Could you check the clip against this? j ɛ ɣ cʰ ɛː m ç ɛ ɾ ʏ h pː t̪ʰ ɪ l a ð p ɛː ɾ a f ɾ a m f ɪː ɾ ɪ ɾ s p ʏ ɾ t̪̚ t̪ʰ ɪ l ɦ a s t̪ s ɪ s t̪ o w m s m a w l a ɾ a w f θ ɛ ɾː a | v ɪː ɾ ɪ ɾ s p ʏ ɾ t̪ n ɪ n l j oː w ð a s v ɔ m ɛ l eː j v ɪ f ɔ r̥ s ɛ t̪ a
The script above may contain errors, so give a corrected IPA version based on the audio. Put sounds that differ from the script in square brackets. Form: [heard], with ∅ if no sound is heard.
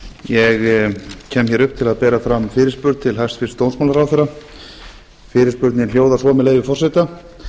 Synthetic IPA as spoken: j ɛ ɣ cʰ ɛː m ç ɛ ɾ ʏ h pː t̪ʰ ɪ l a ð p ɛː ɾ a f ɾ a m f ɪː ɾ ɪ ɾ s p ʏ ɾ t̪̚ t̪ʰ ɪ l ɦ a s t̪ [f] ɪ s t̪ o w [n] s m a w l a ɾ a w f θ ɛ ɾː a | [f] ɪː ɾ ɪ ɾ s p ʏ ɾ t̪ n ɪ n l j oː w ð a s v ɔ m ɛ l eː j v ɪ f ɔ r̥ s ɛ t̪ a